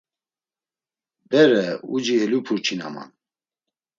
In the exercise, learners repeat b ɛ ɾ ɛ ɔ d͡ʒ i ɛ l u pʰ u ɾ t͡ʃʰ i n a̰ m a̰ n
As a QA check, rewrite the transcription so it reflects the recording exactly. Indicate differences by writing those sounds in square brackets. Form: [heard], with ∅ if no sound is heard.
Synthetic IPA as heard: b ɛ ɾ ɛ [u] d͡ʒ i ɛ l u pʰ u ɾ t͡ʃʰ i n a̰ m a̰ n